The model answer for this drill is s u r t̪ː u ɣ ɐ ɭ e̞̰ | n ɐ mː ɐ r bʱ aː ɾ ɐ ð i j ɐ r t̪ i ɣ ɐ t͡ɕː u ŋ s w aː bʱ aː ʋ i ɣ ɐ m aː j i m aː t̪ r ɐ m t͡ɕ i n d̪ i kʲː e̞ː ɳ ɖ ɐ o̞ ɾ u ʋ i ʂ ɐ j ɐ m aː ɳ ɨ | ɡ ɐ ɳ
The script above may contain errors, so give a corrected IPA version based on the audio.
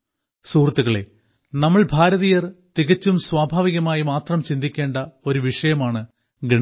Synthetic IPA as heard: s uː r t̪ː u ɣ ɐ ɭ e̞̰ | n ɐ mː ɐ ɭ bʱ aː ɾ ɐ ð i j ɐ r t̪ i ɣ ɐ t͡ɕː u m s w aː bʱ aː ʋ i ɣ ɐ m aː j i m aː t̪ r ɐ m t͡ɕ i n d̪ i kʲː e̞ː ɳ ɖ ɐ o̞ ɾ u ʋ i ʂ ɐ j ɐ m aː ɳ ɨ | ɡ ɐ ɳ